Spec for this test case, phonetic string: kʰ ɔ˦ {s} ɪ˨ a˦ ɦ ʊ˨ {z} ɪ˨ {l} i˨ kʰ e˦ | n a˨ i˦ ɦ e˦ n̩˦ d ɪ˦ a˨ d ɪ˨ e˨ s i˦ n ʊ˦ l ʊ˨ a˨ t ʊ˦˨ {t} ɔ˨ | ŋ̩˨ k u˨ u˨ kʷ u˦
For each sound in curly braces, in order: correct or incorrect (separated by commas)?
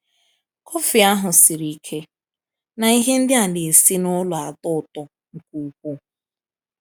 incorrect, incorrect, incorrect, correct